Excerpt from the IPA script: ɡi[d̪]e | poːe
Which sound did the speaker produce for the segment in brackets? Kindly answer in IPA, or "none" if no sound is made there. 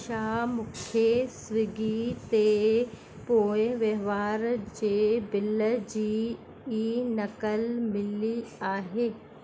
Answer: t̪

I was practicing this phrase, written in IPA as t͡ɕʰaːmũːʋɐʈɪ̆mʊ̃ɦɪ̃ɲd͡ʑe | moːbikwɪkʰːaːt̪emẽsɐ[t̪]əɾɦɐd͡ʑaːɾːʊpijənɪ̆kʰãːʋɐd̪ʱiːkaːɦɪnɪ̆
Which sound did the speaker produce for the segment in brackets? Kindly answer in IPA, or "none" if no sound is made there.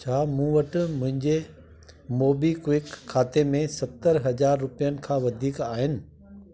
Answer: t̪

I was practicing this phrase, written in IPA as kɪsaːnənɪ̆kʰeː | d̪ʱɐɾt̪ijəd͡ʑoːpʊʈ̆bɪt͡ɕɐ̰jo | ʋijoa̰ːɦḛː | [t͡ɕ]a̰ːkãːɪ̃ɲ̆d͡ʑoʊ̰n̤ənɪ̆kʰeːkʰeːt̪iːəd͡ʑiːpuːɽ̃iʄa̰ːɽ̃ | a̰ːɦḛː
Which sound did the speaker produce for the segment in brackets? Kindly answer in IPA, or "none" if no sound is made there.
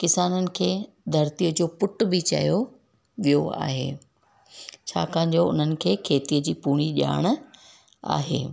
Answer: t͡ɕʰ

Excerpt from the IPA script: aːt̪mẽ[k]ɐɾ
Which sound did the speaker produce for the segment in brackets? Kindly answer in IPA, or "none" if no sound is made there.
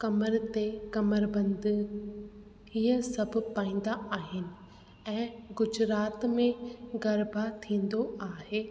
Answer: ɡ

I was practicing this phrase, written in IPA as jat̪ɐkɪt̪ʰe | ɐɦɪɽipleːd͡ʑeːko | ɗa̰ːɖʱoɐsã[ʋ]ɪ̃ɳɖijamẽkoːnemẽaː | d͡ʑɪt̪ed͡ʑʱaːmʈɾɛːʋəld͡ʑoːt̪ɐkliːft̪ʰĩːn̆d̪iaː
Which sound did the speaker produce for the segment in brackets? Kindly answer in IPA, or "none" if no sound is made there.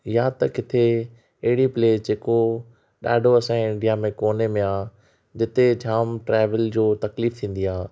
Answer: none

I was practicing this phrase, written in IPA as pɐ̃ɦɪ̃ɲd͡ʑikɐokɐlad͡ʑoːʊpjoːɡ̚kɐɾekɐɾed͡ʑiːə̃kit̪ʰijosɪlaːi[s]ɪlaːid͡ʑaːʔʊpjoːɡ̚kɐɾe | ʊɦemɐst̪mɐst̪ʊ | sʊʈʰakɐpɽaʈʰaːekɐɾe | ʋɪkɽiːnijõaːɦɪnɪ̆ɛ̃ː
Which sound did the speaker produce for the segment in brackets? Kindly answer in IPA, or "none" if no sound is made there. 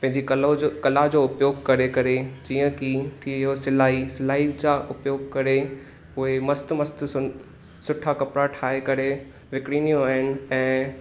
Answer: s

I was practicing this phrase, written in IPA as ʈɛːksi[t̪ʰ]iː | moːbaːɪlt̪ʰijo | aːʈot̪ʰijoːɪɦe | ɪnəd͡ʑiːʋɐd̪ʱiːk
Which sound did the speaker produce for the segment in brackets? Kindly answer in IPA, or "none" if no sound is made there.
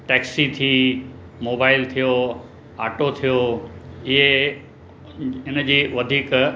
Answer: t̪ʰ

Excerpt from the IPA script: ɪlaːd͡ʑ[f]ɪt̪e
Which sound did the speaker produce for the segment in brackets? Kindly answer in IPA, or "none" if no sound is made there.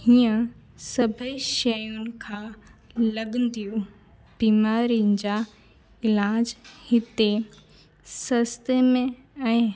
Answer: h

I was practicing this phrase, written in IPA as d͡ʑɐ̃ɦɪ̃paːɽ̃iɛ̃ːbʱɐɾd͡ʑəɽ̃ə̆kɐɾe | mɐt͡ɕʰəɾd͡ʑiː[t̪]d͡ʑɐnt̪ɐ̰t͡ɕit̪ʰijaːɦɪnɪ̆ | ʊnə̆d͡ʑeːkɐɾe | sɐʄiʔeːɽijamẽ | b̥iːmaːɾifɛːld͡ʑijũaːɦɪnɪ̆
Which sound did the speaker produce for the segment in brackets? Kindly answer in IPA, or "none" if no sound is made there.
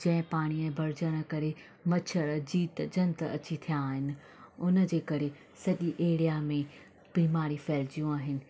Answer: t̪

